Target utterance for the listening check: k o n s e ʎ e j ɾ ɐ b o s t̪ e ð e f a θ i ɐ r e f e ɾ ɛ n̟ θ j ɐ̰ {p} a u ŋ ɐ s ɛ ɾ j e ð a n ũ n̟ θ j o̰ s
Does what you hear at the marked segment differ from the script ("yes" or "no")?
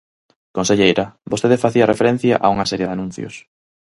yes